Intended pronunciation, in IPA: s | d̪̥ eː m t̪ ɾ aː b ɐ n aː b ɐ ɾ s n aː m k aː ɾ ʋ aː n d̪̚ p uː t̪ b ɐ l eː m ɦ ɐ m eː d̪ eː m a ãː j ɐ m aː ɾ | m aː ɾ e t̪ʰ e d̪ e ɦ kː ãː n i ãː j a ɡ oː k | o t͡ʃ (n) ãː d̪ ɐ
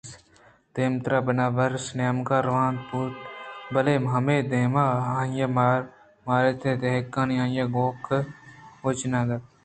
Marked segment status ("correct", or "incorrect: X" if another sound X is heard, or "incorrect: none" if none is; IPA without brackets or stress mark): correct